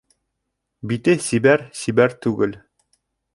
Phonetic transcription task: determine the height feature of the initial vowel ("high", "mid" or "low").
high